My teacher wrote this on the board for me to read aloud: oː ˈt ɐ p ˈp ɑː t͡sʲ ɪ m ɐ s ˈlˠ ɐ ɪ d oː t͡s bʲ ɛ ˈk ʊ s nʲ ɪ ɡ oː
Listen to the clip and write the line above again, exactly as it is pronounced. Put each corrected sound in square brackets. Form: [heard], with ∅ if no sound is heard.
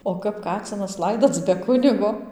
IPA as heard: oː [ˈk] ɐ p [ˈk] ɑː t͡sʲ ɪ [n] ɐ s ˈlˠ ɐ ɪ d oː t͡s bʲ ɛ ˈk ʊ [∅] nʲ ɪ ɡ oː